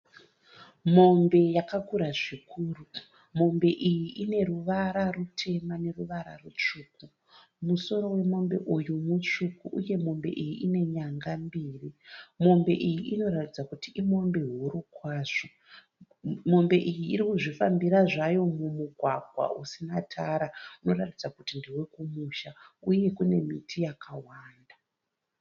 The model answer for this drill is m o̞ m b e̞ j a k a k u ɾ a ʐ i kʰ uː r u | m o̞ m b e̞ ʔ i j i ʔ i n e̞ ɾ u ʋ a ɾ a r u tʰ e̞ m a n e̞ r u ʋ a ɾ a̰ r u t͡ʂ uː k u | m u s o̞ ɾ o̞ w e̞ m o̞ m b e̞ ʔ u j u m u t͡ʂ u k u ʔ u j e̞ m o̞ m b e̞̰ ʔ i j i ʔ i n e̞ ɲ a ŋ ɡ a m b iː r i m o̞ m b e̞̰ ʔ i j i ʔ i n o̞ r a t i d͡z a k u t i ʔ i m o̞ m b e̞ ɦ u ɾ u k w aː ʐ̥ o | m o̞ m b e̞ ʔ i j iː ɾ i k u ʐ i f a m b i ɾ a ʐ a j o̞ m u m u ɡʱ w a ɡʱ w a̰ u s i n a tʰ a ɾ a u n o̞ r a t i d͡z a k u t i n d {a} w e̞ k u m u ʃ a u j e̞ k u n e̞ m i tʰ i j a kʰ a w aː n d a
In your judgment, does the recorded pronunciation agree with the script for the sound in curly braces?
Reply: no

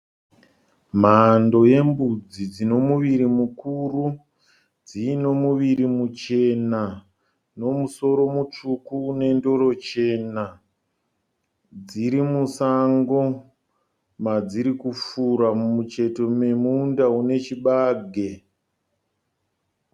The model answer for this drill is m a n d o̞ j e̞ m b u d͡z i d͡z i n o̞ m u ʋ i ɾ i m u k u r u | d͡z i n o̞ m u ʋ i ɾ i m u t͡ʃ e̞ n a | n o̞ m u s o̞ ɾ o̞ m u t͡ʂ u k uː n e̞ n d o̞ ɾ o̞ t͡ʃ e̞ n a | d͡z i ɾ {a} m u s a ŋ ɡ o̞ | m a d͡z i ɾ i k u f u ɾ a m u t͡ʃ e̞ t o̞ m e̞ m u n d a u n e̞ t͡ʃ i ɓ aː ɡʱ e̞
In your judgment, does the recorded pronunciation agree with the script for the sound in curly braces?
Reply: no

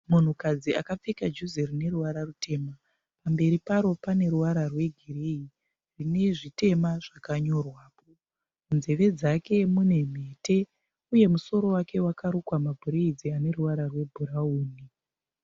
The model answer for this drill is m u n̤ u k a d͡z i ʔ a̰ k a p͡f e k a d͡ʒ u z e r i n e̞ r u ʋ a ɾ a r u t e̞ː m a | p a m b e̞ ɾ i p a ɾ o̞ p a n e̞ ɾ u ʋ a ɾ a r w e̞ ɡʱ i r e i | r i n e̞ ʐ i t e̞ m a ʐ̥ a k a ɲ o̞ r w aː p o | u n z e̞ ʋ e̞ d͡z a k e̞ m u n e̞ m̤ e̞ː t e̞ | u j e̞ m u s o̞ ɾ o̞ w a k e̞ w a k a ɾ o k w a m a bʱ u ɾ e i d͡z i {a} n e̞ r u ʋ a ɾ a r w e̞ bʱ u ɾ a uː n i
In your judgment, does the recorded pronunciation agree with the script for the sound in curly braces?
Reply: yes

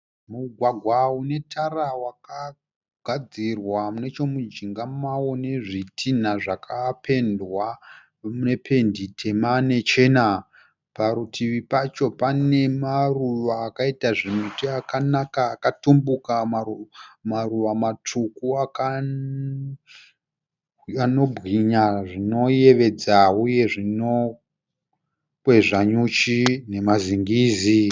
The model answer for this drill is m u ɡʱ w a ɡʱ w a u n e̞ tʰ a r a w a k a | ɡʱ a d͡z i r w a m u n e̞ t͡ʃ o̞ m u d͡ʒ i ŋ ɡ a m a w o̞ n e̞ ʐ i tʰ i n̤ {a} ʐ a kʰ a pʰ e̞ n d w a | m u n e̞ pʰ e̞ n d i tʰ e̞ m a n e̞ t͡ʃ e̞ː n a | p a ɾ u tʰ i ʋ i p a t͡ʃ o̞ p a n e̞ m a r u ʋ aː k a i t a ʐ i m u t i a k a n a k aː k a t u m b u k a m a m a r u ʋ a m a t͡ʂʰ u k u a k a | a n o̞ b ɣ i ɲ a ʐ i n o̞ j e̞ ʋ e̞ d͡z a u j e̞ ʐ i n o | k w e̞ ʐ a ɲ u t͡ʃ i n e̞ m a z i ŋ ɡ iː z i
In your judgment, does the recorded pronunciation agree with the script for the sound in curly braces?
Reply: yes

